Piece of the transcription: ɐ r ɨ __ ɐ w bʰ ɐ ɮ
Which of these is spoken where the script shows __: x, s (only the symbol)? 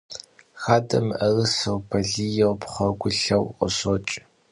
s